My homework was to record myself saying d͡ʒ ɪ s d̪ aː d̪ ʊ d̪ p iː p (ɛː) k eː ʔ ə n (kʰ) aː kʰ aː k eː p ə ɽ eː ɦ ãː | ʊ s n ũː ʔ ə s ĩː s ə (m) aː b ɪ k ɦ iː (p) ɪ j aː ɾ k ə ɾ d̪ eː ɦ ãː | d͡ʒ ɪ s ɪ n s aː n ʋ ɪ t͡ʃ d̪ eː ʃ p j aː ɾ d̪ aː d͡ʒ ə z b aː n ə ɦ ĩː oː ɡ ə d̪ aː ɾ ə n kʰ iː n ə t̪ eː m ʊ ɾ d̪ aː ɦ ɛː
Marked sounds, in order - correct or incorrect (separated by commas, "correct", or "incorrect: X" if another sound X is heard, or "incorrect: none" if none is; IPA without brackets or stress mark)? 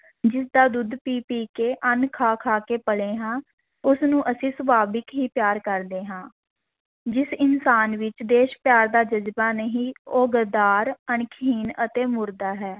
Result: incorrect: iː, correct, incorrect: b, correct